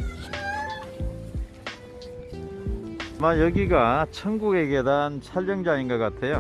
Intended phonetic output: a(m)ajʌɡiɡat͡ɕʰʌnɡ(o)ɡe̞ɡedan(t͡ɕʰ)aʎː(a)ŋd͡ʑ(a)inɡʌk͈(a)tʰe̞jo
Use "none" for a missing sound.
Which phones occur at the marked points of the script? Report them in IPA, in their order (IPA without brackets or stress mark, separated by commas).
m, u, t͡ɕʰ, ʌ, a, a